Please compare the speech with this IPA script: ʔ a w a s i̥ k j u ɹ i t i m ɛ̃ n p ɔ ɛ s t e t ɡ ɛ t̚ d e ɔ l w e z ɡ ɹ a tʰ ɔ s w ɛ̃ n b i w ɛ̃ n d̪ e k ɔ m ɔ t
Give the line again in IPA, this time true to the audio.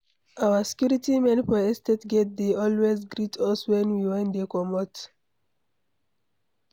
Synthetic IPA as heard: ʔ a w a s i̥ k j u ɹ i t i m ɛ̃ n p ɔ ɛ s t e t ɡ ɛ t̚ d e ɔ l w e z ɡ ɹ i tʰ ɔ s w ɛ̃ n w i w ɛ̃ n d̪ e k ɔ m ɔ t